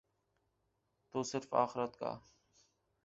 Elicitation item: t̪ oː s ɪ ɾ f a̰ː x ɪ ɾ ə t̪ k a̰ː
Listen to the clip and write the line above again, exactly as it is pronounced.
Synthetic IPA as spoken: t̪ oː s ɪ ɾ f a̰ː x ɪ ɾ ə t̪ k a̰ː